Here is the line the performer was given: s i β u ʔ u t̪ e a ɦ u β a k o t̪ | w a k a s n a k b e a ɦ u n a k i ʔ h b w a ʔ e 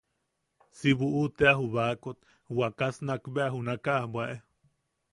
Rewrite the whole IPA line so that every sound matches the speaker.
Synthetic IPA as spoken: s i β u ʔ u t̪ e a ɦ u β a k o t̪ | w a k a s n a k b e a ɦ u n a k a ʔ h b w a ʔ e